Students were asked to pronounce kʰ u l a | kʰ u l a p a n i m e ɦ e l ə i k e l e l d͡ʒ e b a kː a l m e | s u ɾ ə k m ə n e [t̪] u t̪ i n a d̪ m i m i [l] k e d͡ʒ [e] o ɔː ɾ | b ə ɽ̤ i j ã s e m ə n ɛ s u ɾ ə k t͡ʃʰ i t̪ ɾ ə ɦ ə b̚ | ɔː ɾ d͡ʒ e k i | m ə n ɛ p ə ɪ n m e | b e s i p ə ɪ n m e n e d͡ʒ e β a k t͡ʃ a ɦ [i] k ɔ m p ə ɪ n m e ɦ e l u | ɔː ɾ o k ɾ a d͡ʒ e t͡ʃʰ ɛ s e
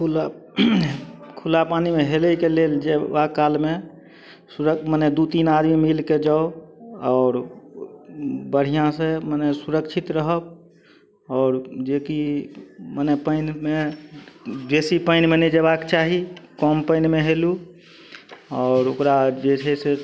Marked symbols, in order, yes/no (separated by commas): no, yes, no, yes